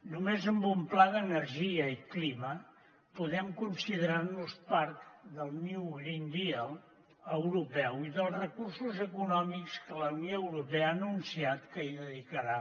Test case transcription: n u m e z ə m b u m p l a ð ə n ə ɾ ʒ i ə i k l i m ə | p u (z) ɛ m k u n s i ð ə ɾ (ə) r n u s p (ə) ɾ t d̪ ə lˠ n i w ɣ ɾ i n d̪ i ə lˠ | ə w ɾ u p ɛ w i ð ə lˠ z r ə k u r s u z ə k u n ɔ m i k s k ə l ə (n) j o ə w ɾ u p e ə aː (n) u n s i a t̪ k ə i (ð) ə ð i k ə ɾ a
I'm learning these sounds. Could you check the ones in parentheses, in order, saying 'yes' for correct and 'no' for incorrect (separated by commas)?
no, no, no, yes, yes, yes